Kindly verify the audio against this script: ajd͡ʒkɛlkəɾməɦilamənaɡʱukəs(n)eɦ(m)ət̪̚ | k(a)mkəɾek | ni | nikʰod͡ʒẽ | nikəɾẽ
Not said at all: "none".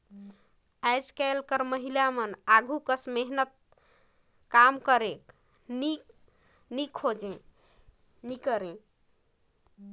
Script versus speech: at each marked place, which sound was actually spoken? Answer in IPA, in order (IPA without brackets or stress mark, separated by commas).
m, n, a